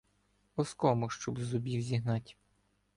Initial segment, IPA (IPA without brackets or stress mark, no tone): ɔ